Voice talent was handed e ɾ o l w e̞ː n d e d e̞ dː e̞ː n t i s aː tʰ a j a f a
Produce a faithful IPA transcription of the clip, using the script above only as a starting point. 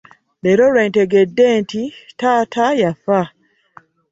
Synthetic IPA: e ɾ o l w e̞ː n t e ɡ e̞ dː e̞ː n t i t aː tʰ a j a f a